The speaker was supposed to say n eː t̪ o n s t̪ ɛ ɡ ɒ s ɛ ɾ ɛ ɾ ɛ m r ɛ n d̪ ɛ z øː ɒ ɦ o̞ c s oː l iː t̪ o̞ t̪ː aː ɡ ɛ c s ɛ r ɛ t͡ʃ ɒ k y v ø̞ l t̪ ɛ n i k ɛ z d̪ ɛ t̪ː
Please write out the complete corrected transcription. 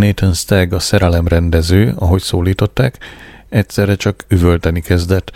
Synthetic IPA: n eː t̪ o n s t̪ ɛ ɡ ɒ s ɛ ɾ ɛ l ɛ m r ɛ n d̪ ɛ z øː ɒ ɦ o̞ c s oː l iː t̪ o̞ t̪ː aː k ɛ c s ɛ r ɛ t͡ʃ ɒ k y v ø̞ l t̪ ɛ n i k ɛ z d̪ ɛ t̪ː